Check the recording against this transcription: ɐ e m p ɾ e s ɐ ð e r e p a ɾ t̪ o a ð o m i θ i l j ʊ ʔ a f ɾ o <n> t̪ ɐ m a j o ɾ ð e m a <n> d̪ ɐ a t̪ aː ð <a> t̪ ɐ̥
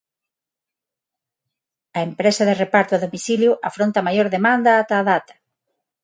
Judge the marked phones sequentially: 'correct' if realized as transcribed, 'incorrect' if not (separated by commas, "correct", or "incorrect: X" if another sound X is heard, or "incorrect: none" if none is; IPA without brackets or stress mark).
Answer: correct, correct, correct